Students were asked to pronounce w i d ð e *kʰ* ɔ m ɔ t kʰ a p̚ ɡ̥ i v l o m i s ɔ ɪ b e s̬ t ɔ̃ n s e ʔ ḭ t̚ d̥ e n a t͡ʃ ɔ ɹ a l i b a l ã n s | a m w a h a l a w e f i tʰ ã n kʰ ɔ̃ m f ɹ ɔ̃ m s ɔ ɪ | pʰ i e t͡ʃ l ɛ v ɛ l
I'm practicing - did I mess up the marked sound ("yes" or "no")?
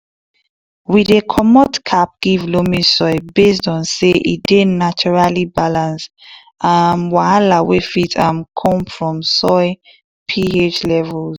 no